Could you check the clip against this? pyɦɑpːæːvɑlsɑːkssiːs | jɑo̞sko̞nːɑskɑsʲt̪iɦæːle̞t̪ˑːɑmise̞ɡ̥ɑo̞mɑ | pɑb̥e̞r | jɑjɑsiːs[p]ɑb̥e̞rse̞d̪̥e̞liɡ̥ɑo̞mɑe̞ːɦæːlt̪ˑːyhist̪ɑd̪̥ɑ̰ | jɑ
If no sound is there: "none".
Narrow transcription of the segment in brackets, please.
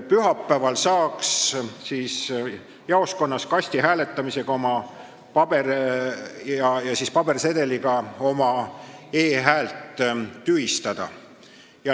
p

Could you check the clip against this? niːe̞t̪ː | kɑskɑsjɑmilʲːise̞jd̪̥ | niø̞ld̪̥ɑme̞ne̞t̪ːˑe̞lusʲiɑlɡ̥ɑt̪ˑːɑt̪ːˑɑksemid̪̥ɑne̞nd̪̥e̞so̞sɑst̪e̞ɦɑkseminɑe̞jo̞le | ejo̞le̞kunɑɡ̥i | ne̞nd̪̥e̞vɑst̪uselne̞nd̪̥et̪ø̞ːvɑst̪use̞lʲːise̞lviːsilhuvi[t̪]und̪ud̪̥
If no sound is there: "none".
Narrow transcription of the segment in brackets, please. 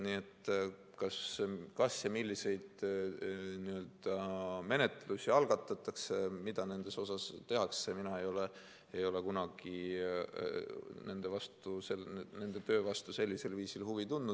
t̪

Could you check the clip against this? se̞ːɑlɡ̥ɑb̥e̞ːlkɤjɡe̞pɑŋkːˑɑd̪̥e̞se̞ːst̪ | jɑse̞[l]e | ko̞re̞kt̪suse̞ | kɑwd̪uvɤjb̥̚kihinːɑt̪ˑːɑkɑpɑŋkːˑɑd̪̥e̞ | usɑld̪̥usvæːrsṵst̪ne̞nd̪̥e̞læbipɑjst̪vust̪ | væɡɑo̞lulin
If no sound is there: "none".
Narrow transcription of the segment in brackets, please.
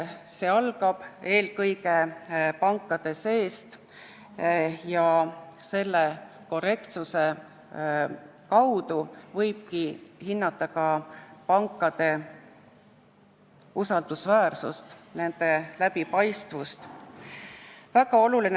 lː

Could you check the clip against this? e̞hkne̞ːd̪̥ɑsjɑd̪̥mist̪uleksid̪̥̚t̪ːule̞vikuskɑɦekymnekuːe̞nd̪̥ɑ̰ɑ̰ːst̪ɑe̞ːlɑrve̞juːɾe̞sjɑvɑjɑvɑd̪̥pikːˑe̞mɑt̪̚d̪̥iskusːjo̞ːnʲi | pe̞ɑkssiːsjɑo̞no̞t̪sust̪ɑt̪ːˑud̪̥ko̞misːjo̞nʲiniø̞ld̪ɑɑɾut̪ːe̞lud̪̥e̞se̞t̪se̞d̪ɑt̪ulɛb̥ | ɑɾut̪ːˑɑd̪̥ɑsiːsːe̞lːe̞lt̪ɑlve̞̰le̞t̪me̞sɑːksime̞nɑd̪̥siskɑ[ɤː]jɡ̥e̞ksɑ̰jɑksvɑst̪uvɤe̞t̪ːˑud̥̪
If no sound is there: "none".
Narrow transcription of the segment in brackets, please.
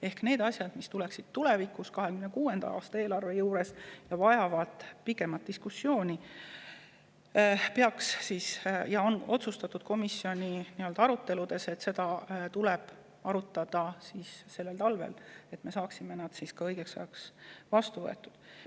ɤ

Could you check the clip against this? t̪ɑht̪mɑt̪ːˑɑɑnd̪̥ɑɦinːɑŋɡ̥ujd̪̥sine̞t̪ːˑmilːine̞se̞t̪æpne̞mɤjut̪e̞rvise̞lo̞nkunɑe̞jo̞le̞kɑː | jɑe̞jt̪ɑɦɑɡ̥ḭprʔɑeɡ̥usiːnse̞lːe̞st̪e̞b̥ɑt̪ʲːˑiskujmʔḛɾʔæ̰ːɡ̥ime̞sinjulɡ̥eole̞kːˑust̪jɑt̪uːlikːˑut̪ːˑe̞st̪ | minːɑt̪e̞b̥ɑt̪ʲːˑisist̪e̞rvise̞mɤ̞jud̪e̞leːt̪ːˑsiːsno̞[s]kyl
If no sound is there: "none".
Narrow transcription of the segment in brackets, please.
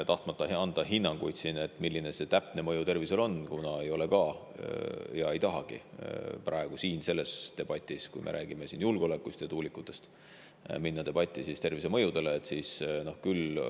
h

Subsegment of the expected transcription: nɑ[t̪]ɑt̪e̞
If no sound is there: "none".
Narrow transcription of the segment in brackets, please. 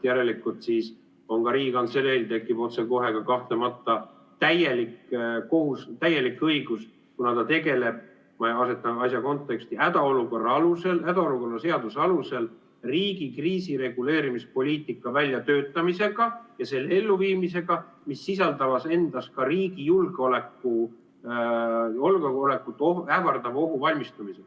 t̪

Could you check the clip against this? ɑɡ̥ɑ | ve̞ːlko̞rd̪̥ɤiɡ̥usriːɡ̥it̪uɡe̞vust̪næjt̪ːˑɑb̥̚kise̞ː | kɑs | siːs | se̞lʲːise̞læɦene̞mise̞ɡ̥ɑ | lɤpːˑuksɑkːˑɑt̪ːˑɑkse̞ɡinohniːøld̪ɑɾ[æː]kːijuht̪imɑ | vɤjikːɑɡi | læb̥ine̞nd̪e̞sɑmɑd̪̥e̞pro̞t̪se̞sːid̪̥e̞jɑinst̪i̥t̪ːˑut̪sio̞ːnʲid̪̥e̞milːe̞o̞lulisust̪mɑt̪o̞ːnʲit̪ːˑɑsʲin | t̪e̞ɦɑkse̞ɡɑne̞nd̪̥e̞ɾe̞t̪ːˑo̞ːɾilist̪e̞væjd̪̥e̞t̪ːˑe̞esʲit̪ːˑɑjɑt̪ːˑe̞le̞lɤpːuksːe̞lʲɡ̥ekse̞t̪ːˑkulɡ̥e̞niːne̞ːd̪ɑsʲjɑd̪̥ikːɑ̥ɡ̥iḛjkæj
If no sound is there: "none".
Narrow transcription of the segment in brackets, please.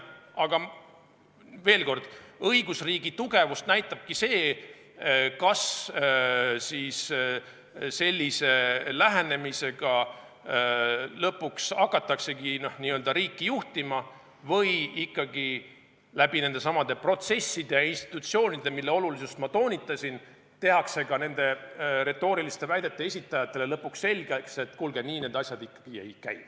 iː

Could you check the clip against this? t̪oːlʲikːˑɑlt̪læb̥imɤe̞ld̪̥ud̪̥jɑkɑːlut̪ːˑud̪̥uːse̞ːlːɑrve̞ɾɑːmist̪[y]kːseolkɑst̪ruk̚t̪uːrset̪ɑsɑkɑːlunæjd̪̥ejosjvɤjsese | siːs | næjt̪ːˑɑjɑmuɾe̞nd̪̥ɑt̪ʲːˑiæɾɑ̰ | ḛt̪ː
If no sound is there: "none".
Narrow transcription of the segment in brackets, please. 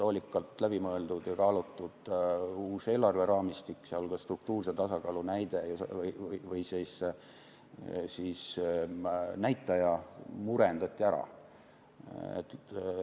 i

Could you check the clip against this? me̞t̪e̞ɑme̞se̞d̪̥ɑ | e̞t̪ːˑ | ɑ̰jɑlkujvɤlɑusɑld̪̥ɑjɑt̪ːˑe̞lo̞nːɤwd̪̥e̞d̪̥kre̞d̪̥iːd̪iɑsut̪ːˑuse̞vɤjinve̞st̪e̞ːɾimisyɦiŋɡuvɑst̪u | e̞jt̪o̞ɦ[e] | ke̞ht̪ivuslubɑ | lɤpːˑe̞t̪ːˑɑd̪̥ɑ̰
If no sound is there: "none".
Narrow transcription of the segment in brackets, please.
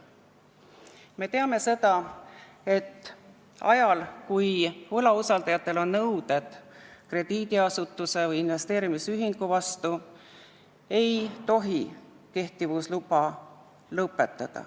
i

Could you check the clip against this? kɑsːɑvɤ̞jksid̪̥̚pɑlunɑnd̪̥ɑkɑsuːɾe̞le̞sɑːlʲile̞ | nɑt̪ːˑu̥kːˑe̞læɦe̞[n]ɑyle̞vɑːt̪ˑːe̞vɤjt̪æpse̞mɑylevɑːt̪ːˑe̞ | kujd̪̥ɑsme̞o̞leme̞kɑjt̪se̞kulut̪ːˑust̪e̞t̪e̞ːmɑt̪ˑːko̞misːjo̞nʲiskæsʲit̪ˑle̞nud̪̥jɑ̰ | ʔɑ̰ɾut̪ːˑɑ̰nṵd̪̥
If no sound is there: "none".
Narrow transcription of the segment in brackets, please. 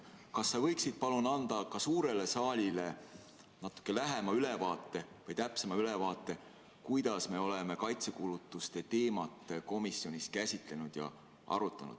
m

